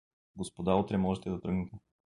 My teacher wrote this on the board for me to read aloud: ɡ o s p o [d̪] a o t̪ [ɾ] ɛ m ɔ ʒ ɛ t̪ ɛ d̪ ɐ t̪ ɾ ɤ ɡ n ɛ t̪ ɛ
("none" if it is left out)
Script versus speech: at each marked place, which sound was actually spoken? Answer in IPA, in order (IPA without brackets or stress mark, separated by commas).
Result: d̪, ɾ